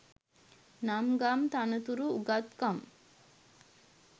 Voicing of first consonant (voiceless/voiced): voiced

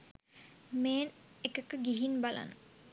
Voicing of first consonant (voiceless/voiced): voiced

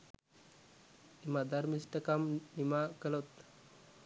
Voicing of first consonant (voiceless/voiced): voiced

